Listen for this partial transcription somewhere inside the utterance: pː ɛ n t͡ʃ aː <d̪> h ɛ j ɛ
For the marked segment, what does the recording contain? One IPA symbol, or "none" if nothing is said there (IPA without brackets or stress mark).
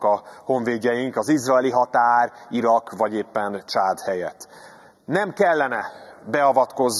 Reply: d̪